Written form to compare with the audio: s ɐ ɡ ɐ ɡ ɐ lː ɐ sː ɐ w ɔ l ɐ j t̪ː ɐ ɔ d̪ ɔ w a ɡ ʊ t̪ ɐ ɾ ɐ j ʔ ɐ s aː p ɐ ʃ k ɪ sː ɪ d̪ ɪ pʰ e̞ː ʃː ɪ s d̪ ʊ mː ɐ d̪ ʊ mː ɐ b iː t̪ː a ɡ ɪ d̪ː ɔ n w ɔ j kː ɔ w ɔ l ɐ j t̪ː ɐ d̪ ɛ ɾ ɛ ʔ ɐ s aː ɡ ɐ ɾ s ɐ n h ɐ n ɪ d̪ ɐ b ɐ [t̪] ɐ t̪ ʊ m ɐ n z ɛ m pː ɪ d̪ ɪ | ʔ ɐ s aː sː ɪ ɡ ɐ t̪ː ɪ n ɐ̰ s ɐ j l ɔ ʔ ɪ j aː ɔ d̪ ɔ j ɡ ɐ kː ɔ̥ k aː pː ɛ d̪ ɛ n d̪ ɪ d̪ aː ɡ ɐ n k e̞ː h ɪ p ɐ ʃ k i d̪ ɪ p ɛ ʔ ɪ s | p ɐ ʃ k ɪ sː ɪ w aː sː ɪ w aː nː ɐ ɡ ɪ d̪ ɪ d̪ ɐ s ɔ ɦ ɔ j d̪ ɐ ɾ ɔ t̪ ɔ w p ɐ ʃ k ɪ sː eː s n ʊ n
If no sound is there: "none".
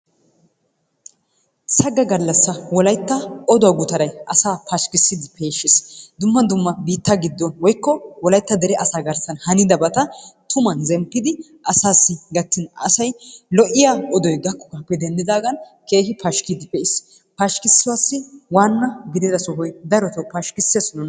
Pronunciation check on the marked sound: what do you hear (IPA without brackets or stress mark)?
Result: t̪